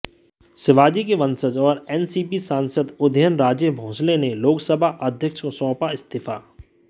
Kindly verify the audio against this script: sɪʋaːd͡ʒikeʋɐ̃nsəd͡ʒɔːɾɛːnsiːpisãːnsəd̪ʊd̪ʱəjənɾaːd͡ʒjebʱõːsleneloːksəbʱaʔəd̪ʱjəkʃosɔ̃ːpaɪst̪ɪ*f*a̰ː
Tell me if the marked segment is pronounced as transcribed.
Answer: yes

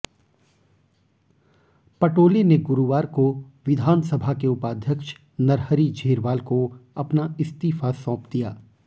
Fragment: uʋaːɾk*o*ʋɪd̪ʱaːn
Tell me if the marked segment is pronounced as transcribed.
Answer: yes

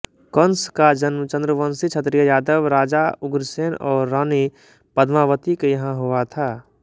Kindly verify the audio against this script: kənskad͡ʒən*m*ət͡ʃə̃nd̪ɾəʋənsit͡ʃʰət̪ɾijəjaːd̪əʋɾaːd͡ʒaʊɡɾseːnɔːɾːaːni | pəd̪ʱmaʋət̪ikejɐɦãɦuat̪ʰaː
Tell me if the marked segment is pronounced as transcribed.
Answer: yes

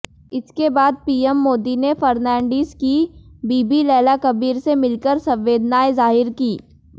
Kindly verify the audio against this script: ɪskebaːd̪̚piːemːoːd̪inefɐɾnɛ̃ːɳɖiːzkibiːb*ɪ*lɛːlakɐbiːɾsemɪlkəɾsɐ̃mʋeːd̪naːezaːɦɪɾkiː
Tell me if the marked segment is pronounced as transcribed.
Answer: no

